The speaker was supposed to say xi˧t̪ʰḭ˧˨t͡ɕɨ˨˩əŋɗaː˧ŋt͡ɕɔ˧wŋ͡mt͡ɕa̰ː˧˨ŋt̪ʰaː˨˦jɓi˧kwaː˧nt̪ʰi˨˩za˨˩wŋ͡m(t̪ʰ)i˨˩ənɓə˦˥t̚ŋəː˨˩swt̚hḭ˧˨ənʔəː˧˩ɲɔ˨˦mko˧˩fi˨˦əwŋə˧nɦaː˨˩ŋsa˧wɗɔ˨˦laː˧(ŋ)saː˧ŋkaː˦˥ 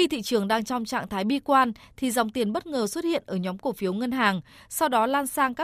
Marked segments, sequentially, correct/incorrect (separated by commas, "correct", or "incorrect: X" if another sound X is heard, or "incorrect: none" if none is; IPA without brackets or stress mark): incorrect: t̪, incorrect: n